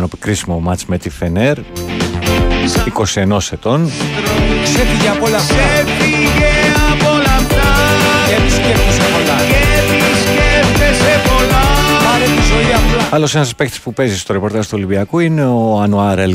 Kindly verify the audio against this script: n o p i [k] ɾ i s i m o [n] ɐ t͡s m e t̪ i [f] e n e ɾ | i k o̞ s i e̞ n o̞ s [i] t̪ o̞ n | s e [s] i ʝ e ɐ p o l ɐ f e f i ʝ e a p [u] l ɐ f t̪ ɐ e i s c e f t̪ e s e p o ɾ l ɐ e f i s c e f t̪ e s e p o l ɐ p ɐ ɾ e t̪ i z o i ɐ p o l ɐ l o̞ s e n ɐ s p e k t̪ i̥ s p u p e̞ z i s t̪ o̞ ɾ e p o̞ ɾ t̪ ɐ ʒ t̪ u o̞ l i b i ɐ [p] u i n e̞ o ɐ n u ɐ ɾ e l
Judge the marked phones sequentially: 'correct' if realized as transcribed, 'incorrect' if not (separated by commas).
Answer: correct, incorrect, correct, incorrect, incorrect, incorrect, incorrect